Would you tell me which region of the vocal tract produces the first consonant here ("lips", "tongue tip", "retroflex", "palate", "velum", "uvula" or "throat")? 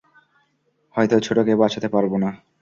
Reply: throat